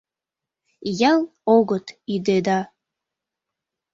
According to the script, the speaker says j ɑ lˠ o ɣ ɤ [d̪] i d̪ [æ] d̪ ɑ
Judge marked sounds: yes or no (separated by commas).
no, no